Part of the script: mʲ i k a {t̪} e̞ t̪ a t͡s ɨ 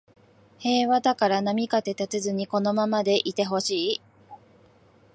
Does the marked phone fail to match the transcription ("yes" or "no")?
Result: no